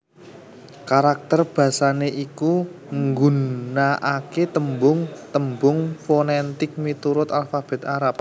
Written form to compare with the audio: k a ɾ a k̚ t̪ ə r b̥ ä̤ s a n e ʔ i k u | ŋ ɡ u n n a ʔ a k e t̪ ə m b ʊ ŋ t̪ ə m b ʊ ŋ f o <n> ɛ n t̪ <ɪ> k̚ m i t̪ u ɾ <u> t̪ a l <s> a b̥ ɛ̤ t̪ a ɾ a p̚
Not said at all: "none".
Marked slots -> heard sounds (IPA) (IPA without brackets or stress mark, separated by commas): n, ɪ, ʊ, f